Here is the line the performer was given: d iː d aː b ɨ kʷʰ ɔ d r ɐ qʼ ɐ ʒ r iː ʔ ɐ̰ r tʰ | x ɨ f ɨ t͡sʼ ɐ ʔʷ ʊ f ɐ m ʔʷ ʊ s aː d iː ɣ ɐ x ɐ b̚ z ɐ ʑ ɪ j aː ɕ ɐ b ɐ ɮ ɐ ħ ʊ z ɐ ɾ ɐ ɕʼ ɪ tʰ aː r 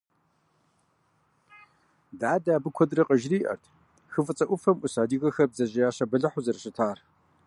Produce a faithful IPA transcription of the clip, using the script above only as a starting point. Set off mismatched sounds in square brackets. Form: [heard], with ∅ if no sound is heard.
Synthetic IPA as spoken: d [aː] d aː b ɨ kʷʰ ɔ d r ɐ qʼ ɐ ʒ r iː ʔ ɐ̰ r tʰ | x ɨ f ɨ t͡sʼ ɐ ʔʷ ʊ f ɐ m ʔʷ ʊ s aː d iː ɣ ɐ x ɐ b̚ z ɐ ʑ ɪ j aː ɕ ɐ b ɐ ɮ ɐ ħ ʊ z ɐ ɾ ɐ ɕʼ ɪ tʰ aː r